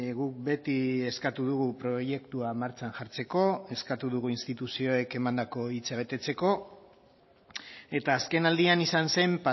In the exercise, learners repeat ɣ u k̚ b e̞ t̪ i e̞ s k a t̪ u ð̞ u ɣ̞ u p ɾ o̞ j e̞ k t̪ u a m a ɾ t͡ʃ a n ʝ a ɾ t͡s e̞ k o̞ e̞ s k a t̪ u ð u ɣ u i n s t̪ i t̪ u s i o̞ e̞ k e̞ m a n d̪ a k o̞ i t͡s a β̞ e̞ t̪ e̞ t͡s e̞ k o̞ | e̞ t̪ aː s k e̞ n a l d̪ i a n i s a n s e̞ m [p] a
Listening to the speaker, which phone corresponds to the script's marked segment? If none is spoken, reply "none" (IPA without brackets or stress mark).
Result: p